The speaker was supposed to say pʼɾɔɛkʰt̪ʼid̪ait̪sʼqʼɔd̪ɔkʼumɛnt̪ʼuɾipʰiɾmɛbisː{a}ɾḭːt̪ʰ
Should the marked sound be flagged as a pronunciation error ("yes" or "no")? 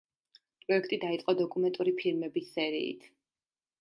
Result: yes